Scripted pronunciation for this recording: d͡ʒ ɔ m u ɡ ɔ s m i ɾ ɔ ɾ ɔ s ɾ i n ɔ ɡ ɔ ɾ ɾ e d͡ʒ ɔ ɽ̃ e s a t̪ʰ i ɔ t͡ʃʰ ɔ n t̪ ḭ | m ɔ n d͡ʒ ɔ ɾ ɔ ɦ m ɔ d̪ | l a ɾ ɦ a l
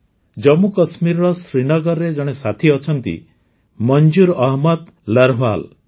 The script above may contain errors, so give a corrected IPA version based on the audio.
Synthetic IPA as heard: d͡ʒ ɔ m u k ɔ s m i ɾ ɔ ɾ ɔ s ɾ i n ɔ ɡ ɔ ɾ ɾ e d͡ʒ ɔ ɽ̃ e s a t̪ʰ i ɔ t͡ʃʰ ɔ n t̪ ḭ | m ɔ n d͡ʒ u ɾ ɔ ɦ m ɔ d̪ | l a ɾ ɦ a l